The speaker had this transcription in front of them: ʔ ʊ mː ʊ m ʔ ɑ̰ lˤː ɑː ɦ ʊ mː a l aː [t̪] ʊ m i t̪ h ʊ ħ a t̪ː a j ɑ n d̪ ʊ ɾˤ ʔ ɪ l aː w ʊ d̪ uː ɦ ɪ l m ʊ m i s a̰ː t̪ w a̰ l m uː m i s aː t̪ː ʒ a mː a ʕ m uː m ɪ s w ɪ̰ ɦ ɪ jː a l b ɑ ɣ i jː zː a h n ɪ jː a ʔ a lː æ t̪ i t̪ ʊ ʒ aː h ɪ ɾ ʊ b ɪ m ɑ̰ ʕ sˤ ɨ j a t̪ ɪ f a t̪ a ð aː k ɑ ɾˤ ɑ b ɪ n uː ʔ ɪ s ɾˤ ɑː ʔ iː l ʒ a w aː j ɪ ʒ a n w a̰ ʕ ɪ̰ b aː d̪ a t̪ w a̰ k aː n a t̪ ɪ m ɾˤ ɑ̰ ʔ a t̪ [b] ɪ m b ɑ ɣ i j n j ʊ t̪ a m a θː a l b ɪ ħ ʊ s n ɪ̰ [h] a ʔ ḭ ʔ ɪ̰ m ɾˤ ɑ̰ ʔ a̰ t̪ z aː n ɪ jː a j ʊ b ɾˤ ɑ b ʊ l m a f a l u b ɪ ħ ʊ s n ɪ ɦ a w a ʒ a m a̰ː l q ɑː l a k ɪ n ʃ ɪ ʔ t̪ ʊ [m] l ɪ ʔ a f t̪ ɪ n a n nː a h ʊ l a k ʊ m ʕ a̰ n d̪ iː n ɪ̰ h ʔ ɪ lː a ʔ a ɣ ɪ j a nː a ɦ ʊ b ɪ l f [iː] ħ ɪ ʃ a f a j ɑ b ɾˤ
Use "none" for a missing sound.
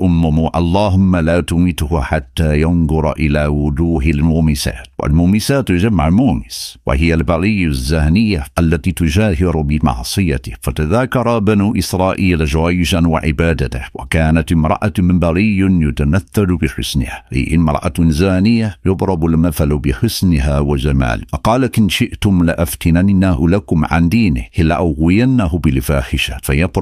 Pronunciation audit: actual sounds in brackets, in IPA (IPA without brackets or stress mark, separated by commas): t̪, m, h, m, aː